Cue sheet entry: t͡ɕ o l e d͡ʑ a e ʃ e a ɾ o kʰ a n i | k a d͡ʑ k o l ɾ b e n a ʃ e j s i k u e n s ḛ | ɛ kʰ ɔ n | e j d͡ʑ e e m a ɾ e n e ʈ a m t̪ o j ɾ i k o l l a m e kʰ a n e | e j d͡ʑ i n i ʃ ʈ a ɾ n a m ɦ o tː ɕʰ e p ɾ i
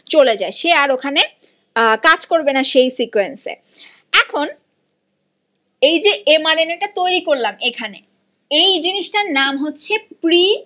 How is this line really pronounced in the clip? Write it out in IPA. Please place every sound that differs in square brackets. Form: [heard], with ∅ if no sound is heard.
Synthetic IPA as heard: t͡ɕ o l e d͡ʑ a e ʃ e a ɾ o kʰ a n [e] | k a d͡ʑ k o [∅] ɾ b e n a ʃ e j s i k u e n s ḛ | ɛ kʰ [o] n | e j d͡ʑ e e m a ɾ e n e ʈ a [∅] t̪ o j ɾ i k o [ɾ] l a m e kʰ a n e | e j d͡ʑ i n i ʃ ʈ a ɾ n a m ɦ o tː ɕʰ e p ɾ i